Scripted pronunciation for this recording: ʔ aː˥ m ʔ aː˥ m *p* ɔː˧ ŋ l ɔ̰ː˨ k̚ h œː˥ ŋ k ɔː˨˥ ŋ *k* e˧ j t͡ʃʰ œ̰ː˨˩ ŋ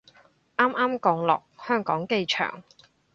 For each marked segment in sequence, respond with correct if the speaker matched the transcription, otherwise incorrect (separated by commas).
incorrect, correct